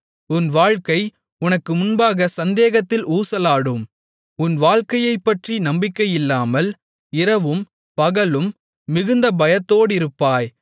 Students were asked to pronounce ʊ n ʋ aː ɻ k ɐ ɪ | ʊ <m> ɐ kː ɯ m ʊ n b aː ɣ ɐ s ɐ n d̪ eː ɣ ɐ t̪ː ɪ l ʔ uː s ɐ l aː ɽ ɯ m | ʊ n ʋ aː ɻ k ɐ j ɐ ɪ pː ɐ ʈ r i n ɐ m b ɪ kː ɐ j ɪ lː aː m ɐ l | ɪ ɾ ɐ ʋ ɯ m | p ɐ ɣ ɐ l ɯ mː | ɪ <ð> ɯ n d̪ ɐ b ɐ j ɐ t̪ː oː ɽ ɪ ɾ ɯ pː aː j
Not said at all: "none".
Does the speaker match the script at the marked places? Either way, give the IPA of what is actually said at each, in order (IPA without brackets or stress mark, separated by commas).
n, ɣ